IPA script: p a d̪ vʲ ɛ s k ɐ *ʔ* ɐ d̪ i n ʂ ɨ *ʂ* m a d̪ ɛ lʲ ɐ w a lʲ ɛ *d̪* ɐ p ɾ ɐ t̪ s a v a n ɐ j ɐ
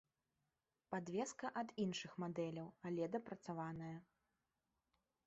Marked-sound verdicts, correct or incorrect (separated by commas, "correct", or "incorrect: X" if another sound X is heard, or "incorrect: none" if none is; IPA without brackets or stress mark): correct, incorrect: x, correct